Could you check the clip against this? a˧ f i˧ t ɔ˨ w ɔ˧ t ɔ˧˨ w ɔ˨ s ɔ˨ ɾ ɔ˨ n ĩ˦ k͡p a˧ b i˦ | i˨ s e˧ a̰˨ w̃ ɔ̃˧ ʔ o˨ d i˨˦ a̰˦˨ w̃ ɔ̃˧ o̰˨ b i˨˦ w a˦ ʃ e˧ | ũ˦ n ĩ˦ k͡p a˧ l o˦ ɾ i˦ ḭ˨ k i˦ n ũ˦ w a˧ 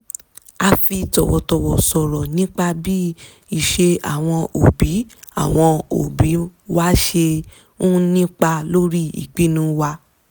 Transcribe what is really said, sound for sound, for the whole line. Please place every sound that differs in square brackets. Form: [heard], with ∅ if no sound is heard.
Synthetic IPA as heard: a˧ f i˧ t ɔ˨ w ɔ˧ t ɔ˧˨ w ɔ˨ s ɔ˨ ɾ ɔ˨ n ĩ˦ k͡p a˧ b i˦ | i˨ [ʃ] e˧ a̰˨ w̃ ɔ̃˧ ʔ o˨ [b] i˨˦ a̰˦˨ w̃ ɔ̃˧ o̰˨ b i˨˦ w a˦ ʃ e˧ | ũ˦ n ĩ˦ k͡p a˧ l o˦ ɾ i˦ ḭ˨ [k͡p] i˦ n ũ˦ w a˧